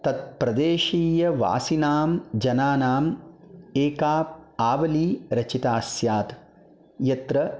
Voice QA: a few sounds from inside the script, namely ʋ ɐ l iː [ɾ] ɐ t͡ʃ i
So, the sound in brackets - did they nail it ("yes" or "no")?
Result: yes